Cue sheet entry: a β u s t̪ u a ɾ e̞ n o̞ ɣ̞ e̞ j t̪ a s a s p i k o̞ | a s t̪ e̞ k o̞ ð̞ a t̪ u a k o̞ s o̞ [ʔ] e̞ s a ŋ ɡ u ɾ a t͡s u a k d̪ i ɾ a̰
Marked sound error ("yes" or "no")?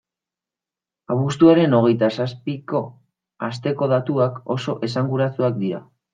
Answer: no